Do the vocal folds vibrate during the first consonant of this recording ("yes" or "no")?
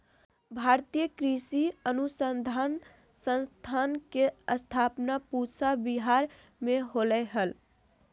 yes